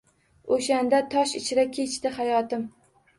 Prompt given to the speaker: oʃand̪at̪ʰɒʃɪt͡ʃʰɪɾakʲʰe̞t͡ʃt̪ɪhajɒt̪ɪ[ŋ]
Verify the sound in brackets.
incorrect: m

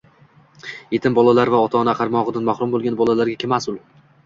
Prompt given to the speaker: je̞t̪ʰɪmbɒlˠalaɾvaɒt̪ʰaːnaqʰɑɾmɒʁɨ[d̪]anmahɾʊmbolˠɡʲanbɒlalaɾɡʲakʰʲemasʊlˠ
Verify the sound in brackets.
correct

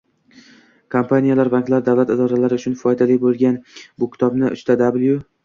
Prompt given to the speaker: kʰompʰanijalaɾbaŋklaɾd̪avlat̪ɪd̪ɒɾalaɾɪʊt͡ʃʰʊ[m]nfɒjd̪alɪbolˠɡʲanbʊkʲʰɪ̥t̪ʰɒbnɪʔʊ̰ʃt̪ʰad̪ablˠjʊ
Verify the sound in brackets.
incorrect: none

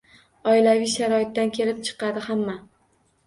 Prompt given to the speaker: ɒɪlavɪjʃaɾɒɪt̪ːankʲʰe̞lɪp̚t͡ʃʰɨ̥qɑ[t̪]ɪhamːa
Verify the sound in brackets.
incorrect: d̪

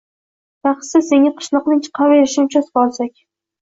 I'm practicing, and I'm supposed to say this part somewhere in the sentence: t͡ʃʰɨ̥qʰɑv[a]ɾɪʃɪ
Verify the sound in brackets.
incorrect: e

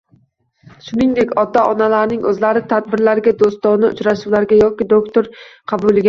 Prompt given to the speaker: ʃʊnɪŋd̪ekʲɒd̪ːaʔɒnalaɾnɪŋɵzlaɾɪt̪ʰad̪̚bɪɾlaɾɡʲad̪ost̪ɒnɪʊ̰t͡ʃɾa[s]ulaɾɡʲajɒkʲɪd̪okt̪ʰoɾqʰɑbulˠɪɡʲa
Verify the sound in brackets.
incorrect: ʃ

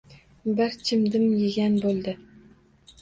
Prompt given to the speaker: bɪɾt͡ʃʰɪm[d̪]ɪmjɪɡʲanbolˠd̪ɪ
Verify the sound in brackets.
correct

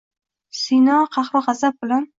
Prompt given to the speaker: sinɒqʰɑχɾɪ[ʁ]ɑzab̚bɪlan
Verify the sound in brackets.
correct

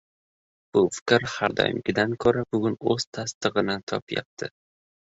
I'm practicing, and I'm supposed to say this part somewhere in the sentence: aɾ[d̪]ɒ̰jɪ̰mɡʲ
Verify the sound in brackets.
correct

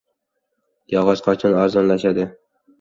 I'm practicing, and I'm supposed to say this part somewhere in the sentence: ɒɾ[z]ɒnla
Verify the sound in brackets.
correct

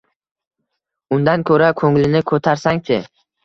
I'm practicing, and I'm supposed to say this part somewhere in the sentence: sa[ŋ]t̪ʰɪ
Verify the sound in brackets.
correct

